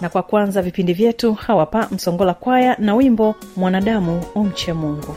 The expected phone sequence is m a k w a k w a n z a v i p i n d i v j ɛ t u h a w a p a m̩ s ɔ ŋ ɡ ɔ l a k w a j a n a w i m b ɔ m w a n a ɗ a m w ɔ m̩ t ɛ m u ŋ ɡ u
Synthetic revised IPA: n a k w a k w a n z a v i p i n d i v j ɛ t u h a w a p a m̩ s ɔ ŋ ɡ ɔ l a k w a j a n a w i m b ɔ m w a n a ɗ a m u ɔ m̩ t͡ʃ ɛ m u ŋ ɡ u